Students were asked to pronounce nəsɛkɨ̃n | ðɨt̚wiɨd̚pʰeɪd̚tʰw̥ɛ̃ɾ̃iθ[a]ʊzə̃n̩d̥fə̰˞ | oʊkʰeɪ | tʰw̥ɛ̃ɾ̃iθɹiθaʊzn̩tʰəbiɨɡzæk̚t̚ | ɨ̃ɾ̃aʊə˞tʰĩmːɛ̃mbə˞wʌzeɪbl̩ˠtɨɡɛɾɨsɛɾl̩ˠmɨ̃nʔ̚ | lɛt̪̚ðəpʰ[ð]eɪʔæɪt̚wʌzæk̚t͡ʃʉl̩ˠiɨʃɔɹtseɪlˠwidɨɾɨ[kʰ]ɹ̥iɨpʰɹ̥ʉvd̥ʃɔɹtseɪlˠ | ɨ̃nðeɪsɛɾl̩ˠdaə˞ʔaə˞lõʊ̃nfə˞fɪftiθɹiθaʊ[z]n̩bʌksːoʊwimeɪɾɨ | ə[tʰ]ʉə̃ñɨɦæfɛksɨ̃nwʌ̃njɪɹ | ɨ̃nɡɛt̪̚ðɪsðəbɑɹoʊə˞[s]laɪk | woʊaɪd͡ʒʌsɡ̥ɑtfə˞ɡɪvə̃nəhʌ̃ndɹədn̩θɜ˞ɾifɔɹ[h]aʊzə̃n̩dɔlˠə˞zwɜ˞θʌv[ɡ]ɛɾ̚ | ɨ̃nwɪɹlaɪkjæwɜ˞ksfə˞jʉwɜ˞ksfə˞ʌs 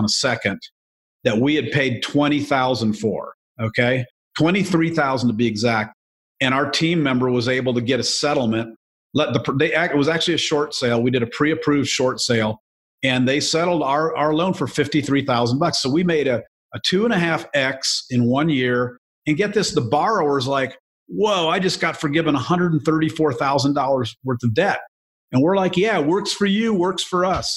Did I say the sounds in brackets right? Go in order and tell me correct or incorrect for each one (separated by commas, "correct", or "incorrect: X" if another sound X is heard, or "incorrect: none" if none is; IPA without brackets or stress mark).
correct, correct, incorrect: pʰ, correct, correct, incorrect: z, incorrect: θ, incorrect: d